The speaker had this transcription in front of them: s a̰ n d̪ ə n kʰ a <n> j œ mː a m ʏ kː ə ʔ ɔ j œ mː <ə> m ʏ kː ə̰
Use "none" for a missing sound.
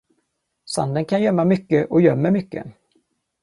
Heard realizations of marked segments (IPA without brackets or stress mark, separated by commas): n, ə